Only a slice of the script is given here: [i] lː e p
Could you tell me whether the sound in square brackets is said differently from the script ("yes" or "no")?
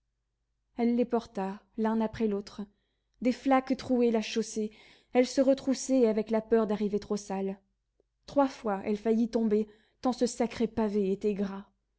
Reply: yes